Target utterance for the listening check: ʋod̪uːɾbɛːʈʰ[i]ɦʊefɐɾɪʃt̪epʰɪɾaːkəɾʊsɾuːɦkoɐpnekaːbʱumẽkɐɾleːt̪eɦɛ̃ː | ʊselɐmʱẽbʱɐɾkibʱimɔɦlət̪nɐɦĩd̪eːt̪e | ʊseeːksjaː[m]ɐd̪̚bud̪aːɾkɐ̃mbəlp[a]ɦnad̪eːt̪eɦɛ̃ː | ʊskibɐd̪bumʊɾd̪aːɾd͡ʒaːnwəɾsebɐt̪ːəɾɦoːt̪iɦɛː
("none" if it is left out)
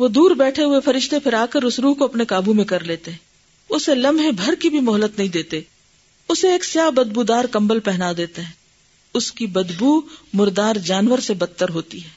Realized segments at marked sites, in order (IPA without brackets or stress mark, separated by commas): e, b, ɛ